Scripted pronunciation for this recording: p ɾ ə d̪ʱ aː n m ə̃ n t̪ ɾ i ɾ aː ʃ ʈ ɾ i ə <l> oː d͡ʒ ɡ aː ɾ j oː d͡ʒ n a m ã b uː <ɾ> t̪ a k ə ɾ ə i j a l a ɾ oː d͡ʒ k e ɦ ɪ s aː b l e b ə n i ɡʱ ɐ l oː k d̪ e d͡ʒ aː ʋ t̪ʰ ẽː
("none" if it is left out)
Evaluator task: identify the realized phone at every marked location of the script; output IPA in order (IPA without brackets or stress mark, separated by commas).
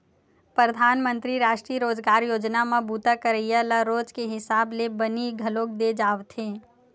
ɾ, none